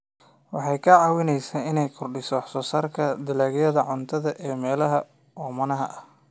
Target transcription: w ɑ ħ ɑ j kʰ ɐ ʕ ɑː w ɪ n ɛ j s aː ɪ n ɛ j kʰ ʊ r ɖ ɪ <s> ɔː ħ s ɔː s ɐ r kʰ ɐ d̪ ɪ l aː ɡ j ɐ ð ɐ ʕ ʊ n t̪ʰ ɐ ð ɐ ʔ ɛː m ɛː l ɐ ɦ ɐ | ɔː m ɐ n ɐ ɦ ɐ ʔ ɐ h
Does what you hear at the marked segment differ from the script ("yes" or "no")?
no